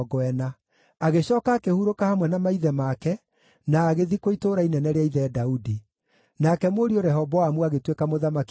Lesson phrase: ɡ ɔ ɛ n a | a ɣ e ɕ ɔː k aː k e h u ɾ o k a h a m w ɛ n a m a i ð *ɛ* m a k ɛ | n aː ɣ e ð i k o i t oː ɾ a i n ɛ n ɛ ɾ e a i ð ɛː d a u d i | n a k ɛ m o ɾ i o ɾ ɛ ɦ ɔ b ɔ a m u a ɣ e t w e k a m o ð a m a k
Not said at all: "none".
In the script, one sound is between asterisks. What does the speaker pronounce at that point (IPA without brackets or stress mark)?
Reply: ɛ